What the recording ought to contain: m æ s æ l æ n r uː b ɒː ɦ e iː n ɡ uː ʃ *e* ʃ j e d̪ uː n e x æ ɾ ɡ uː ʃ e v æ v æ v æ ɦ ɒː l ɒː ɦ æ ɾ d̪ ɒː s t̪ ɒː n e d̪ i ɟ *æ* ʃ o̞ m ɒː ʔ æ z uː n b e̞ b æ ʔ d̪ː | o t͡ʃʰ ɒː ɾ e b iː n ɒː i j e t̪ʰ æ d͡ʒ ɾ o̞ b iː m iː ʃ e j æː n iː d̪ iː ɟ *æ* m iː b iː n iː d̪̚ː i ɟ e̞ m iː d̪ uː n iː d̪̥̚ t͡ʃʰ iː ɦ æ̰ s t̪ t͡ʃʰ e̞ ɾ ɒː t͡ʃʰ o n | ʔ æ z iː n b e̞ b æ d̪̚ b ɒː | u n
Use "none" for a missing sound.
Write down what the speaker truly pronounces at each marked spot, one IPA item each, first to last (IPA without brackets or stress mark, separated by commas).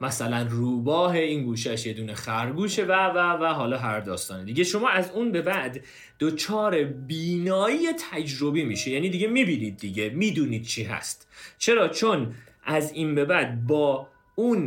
æ, e, e